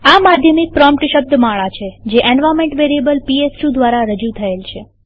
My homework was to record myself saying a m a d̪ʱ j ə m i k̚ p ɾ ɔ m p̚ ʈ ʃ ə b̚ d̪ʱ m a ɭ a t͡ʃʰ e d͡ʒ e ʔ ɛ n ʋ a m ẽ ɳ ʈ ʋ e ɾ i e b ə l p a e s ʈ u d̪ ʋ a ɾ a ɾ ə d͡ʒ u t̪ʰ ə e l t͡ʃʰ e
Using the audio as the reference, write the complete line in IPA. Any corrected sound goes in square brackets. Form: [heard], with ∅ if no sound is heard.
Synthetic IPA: a m a d̪ʱ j ə m i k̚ p ɾ ɔ m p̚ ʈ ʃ ə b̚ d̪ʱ m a ɭ a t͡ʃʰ e d͡ʒ e ʔ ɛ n ʋ a m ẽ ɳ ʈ ʋ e ɾ i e b ə l p [i] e s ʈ u d̪ ʋ a ɾ a ɾ ə d͡ʒ u t̪ʰ ə e l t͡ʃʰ e